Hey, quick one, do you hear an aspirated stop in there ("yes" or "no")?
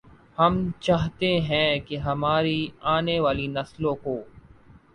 no